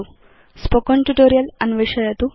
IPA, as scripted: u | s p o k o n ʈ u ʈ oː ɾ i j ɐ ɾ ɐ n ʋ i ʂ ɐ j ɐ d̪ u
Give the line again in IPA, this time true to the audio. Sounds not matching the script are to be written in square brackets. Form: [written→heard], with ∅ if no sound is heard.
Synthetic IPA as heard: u | s p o k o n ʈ u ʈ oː ɾ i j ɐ [ɾ→l] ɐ n ʋ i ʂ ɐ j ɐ [d̪→t̪] u